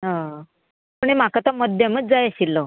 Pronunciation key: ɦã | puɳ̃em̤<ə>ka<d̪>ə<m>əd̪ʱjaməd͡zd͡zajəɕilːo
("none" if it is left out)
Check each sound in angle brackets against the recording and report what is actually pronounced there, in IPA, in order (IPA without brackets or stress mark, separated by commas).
a, t̪, m